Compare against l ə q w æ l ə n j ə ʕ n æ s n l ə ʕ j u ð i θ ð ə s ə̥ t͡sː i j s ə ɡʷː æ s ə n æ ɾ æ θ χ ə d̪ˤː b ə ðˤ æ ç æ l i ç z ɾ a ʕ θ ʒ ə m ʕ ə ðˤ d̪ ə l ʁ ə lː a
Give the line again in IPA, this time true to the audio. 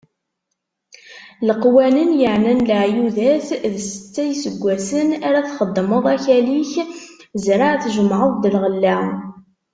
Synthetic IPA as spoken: l ə q w æ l ə n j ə ʕ n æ n l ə ʕ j u ð æ θ ð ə s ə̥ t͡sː æ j s ə ɡʷː æ s ə n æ ɾ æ θ χ ə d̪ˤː m ə ðˤ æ ç æ l i ç z ɾ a ʕ θ ʒ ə m ʕ ə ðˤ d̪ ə l ʁ ə lː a